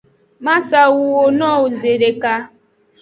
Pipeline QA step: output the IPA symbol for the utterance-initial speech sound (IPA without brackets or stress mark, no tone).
m